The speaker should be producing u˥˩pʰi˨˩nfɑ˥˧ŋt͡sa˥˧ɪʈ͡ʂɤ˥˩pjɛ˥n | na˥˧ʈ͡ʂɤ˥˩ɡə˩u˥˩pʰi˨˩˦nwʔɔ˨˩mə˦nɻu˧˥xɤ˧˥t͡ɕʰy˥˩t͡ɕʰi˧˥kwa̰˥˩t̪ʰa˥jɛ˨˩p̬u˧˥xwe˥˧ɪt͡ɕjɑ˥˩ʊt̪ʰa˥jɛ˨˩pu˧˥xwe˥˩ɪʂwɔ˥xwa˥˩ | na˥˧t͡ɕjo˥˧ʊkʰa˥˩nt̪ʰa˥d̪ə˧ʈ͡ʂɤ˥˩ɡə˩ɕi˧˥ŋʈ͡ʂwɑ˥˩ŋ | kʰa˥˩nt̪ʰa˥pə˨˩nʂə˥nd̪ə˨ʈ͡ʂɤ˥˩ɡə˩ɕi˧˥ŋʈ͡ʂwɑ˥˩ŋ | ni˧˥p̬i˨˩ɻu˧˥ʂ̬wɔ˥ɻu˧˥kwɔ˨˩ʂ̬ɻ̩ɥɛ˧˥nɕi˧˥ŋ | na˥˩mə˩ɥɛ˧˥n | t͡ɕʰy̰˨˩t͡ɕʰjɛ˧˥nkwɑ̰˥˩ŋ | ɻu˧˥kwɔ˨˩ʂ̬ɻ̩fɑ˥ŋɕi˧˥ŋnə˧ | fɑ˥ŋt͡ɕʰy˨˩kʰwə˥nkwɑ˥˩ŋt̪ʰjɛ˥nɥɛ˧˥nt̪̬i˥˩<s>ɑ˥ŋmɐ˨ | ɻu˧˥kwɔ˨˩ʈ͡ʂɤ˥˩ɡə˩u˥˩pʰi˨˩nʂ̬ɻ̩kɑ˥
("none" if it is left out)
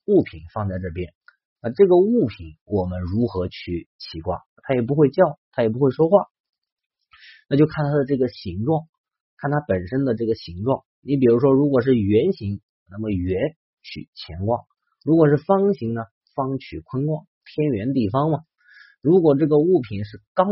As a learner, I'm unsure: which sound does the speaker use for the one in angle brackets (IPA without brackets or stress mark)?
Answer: f